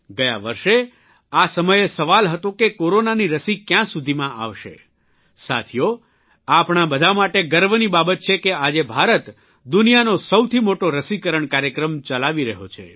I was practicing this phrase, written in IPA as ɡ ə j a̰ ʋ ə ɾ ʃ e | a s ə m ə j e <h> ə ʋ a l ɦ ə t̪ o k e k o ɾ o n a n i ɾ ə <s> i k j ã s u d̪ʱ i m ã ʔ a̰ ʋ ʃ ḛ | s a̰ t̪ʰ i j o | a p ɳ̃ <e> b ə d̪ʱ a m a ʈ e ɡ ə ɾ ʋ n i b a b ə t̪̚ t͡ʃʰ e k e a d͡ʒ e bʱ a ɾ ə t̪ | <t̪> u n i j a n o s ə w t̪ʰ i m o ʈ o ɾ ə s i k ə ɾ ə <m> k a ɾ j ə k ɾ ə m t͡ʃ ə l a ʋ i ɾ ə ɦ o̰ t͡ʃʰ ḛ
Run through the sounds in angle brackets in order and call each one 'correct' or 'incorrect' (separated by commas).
incorrect, correct, incorrect, incorrect, incorrect